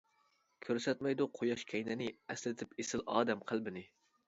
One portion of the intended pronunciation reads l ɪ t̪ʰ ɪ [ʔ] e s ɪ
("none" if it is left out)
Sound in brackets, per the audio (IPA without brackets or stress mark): p